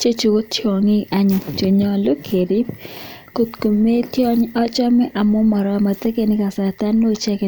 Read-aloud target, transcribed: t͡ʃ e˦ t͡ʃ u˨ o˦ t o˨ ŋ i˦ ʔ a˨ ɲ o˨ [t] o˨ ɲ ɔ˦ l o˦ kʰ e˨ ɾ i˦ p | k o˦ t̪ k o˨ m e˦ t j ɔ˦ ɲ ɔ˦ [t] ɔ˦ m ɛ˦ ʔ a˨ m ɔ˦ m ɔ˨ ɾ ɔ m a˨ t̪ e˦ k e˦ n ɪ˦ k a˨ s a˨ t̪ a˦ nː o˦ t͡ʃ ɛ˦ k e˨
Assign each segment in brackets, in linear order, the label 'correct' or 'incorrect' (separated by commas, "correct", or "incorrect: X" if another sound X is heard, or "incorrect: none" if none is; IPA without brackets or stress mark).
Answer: incorrect: t͡ʃ, incorrect: t͡ʃ